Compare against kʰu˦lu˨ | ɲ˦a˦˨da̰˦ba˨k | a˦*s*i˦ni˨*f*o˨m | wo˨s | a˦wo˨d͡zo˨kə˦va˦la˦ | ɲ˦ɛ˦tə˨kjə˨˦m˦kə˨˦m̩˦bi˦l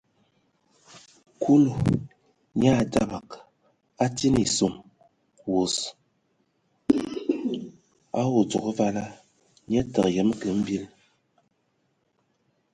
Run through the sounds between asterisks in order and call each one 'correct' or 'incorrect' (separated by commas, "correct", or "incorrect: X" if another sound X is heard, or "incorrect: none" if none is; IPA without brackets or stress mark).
incorrect: t, incorrect: s